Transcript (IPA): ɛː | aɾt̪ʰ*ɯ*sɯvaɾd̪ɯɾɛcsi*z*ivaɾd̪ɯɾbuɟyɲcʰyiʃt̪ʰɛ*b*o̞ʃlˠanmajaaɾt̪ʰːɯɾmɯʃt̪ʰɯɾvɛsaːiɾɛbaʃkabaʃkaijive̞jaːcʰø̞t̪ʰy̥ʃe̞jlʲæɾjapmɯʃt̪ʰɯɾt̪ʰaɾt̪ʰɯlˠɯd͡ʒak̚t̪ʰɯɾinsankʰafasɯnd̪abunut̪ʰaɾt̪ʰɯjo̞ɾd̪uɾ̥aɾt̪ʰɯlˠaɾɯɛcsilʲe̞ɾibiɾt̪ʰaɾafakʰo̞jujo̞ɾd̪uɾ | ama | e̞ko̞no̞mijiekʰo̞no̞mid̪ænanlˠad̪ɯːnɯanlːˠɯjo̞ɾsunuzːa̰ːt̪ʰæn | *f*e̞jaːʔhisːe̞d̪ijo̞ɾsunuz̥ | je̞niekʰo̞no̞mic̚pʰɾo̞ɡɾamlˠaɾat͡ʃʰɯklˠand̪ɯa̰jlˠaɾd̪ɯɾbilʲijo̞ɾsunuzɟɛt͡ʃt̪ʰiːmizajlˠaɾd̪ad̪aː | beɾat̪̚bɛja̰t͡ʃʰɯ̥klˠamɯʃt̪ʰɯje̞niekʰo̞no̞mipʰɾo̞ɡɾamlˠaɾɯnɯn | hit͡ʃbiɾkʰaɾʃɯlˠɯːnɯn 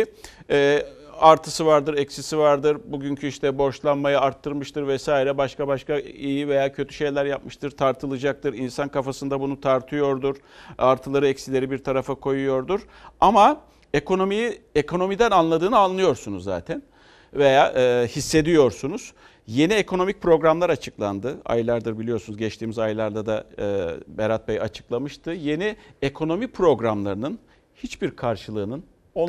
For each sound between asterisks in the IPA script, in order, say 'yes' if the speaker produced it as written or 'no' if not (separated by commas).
yes, no, yes, no